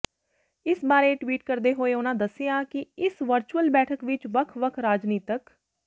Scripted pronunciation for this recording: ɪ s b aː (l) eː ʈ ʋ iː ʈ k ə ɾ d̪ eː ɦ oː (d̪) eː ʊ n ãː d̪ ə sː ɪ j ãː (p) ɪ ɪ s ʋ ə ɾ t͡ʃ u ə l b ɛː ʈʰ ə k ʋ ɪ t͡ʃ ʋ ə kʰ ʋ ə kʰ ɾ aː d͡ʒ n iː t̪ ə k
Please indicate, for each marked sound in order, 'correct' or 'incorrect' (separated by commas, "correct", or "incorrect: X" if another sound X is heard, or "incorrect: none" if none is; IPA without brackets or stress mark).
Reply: incorrect: ɾ, incorrect: none, incorrect: k